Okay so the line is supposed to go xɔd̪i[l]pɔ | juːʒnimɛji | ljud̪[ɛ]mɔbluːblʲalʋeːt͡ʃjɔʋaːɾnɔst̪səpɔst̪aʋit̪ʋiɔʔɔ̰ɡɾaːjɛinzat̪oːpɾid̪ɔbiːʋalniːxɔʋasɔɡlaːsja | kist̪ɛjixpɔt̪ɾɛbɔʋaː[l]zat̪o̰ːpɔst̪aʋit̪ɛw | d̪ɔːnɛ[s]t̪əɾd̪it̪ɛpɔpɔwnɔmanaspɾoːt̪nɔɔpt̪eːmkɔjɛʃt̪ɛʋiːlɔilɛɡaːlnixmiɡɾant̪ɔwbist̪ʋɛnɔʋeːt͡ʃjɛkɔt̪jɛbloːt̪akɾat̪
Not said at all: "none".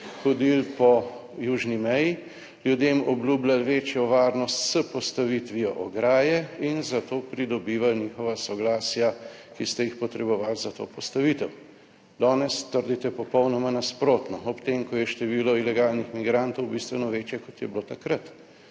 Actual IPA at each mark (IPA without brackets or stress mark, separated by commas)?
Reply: l, e, l, s